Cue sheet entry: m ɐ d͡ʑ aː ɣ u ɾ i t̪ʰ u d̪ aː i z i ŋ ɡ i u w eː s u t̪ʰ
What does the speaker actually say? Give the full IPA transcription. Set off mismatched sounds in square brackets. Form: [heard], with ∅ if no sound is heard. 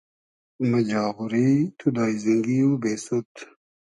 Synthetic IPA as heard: m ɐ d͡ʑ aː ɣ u ɾ i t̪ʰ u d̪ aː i z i ŋ ɡ i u [b] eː s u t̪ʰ